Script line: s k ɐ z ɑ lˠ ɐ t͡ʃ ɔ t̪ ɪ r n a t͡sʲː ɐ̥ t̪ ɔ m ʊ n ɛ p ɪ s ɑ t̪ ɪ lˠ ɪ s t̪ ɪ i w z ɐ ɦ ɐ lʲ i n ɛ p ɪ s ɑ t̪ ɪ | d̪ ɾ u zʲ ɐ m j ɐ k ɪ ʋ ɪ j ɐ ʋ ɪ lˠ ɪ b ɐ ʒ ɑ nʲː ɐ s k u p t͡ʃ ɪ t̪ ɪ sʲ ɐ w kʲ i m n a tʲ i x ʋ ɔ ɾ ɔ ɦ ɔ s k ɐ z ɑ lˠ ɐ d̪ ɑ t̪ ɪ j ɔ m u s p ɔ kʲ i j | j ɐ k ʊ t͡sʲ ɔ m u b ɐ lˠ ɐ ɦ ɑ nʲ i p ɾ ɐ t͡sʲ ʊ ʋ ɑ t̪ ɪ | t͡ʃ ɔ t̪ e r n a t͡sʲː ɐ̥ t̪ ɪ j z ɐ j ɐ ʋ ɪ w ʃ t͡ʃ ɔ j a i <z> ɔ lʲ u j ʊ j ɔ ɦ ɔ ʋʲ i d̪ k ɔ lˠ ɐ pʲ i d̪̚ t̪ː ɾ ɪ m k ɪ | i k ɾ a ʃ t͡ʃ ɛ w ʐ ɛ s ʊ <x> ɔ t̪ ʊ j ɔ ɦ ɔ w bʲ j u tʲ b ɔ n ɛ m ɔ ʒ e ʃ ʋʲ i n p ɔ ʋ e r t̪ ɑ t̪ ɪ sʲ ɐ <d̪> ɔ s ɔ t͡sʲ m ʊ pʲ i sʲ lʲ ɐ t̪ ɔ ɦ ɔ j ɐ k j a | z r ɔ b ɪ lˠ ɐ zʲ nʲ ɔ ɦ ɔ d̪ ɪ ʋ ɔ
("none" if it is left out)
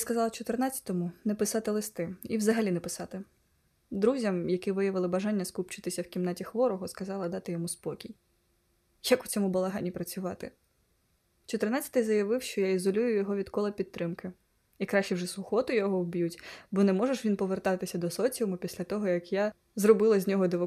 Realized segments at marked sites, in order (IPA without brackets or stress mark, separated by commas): z, x, d̪